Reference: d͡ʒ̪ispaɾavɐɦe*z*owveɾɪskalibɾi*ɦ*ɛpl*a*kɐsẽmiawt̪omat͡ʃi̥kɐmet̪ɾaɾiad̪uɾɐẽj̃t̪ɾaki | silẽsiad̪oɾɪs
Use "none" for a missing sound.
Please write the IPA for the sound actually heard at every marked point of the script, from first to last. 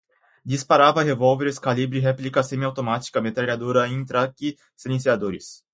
v, ɦ, i

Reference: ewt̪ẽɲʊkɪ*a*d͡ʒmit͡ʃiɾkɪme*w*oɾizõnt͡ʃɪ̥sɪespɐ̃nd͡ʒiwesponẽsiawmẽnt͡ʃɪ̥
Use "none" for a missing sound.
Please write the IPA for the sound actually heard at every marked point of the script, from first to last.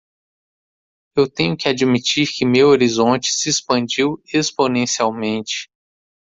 a, w

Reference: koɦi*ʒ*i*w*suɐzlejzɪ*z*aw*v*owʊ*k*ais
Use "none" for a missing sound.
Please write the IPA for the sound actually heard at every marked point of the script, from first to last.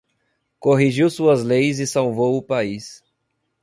ʒ, w, s, v, p

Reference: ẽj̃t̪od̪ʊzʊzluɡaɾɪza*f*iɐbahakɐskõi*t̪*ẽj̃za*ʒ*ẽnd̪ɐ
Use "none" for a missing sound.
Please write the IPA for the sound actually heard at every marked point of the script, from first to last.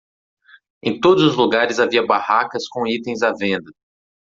v, t̪, v

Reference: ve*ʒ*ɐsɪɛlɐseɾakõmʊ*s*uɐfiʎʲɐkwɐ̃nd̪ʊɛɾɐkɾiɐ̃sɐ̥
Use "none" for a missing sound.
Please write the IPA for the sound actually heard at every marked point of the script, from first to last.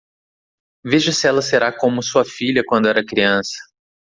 ʒ, s

